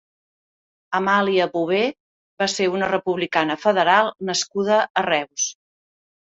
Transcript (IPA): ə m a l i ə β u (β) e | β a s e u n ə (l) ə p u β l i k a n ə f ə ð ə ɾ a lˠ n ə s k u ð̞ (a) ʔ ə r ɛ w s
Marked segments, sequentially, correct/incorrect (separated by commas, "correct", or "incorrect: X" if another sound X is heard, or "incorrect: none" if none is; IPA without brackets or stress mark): correct, incorrect: r, incorrect: ə